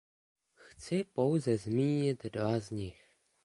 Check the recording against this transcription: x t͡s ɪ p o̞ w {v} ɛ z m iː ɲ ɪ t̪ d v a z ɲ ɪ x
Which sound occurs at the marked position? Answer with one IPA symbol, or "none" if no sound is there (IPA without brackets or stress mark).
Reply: z